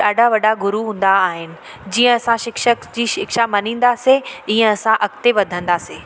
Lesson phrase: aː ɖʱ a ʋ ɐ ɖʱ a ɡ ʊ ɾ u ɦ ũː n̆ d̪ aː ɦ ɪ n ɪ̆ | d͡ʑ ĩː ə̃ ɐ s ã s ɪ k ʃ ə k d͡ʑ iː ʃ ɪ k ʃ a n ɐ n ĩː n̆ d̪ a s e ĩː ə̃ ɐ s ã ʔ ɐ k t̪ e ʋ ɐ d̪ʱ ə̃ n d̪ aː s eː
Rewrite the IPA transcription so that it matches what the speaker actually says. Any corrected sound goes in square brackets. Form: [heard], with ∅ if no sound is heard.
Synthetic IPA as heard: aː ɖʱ a ʋ ɐ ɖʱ a ɡ ʊ ɾ u ɦ ũː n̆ d̪ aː ɦ ɪ n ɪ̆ | d͡ʑ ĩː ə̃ ɐ s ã [ʃ] ɪ k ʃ ə k d͡ʑ iː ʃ ɪ k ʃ a [m] ɐ n ĩː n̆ d̪ a s e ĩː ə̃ ɐ s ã ʔ ɐ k t̪ e ʋ ɐ d̪ʱ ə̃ n d̪ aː s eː